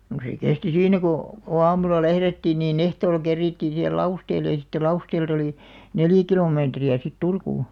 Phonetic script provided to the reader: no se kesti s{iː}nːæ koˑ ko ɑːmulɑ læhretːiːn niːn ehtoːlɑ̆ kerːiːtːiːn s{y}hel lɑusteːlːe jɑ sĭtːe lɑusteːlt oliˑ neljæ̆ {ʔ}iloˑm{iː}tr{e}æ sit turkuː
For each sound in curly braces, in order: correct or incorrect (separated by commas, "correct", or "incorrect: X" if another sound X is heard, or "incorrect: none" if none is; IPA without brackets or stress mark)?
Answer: correct, incorrect: i, incorrect: k, incorrect: eː, incorrect: i